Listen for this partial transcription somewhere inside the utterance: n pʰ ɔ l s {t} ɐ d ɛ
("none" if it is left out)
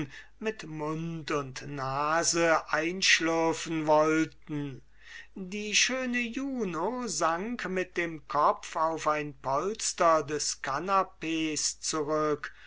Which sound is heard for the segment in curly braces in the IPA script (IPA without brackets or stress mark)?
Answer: t